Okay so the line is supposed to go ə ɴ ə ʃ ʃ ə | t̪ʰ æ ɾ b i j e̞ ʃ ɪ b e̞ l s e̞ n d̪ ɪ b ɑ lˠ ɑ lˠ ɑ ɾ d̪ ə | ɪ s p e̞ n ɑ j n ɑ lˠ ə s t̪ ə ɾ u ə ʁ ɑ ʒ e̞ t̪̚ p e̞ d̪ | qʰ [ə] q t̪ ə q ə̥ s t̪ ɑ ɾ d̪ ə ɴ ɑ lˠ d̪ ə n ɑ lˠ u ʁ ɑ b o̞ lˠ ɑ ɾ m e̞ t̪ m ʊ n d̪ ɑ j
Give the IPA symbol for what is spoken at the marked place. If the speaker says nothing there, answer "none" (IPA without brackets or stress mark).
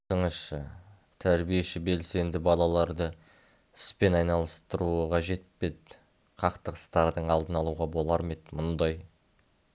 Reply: ɑ